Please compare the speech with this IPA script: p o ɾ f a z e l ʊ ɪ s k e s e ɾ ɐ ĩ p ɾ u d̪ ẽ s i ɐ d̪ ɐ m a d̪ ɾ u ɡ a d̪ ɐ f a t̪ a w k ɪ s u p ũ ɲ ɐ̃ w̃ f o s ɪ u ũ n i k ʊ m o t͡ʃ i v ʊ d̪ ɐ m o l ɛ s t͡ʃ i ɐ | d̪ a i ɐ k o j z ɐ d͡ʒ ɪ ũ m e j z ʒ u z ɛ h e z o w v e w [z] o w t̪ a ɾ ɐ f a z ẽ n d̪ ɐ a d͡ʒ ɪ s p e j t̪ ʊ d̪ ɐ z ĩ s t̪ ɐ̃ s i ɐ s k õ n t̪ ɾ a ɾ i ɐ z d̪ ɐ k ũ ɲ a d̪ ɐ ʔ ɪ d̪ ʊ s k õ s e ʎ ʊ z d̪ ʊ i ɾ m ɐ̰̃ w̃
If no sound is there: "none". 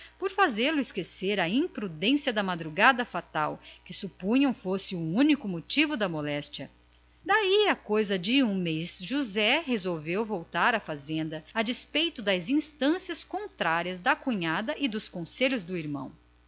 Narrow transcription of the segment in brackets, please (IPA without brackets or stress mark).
v